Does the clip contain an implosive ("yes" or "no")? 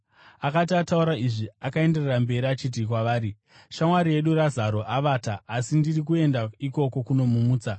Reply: yes